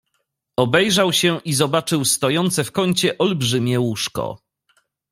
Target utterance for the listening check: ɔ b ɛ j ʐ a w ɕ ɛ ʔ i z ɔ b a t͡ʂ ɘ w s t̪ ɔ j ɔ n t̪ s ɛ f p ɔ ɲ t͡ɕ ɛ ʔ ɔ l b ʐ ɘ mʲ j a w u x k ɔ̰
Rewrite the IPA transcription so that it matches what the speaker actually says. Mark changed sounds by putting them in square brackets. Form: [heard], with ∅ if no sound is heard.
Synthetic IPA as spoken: ɔ b ɛ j ʐ a w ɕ ɛ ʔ i z ɔ b a t͡ʂ ɘ w s t̪ ɔ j ɔ n t̪ s ɛ f [k] ɔ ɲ t͡ɕ ɛ ʔ ɔ l b ʐ ɘ mʲ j [ɛ] w u [ʂ] k ɔ̰